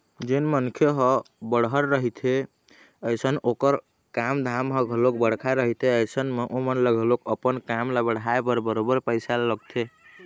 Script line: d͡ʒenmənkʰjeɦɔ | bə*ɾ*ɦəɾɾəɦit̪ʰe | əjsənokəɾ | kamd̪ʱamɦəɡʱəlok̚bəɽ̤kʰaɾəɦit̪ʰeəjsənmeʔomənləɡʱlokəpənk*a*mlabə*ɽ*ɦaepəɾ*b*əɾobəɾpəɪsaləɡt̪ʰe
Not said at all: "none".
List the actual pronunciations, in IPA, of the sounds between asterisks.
ɽ, a, ɽ, b

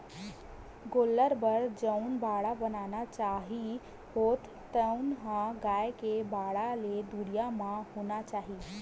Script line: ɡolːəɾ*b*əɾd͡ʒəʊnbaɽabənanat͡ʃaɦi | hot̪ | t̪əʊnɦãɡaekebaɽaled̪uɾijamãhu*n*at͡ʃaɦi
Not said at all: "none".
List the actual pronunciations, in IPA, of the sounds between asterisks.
b, n

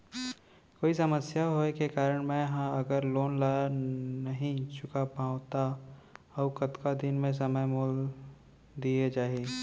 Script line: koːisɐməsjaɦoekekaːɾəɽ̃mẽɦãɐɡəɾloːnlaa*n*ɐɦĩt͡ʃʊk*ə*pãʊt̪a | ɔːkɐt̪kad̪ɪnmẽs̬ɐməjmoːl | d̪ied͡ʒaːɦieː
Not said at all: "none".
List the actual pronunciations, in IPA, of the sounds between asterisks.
n, a

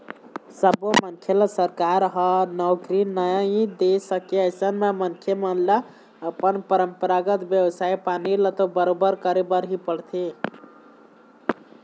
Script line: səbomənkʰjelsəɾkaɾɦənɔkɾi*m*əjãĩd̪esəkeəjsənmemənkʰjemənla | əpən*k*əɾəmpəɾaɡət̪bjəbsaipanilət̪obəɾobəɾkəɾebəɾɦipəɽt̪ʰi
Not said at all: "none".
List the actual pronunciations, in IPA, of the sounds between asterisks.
n, p

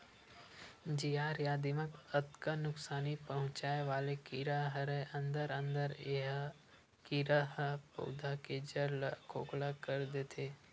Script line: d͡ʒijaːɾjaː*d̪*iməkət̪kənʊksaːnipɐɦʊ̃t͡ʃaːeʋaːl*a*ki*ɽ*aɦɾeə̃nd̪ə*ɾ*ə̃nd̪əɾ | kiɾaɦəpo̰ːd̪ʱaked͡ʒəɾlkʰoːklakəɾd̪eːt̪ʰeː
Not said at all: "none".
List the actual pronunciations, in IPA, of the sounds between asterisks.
d̪, e, ɾ, ɾ

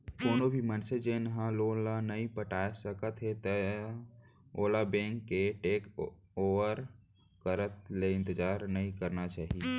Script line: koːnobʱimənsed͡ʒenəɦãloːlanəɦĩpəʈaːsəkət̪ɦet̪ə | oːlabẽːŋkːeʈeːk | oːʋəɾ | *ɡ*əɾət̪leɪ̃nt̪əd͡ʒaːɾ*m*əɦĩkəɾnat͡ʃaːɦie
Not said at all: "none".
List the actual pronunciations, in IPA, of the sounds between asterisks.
k, n

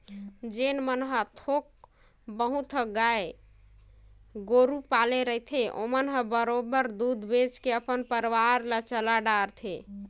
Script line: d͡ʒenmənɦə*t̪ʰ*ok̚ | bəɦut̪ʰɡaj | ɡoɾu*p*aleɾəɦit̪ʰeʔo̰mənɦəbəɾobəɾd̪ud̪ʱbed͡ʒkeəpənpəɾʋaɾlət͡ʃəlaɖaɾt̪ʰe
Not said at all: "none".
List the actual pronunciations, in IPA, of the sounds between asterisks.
t̪ʰ, p

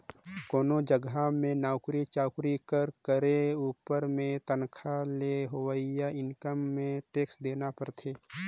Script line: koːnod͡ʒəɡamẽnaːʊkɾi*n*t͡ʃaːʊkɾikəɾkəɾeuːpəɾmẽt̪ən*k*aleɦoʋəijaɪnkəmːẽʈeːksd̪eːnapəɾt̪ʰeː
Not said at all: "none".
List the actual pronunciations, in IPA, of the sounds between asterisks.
none, kʰ

